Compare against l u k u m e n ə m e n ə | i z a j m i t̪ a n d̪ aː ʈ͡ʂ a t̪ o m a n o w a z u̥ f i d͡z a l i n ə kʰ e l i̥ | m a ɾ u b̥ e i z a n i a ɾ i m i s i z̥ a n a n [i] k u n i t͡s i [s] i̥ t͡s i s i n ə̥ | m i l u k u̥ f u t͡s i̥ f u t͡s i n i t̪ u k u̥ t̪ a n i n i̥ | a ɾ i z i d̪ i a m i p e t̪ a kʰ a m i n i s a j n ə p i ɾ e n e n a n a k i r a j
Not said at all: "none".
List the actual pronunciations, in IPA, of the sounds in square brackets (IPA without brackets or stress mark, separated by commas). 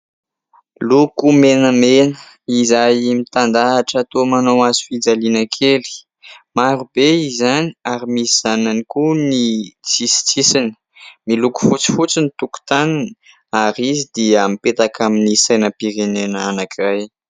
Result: i, s